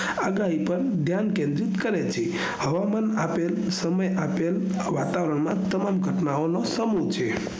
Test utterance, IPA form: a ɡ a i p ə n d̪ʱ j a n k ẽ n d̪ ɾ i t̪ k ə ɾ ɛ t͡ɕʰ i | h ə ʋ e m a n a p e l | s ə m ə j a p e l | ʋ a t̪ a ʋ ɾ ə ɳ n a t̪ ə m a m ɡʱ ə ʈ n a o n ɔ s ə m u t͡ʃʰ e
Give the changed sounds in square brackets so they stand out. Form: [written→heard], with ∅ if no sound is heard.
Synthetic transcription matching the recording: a ɡ a i p ə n d̪ʱ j a n k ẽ n d̪ ɾ i t̪ k ə ɾ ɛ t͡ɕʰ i | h ə ʋ [e→a] m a n a p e l | s ə m ə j a p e l | ʋ a t̪ a ʋ ɾ ə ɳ [n→m] a t̪ ə m a m ɡʱ ə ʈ n a o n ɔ s ə m u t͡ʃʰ e